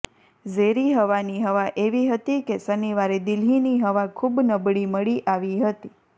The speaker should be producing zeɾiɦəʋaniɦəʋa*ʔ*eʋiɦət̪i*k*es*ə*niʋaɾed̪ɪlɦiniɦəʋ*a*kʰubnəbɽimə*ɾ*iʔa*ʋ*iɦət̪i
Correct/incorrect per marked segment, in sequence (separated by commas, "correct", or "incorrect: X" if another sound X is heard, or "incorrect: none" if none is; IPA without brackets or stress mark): correct, correct, correct, correct, incorrect: ɭ, correct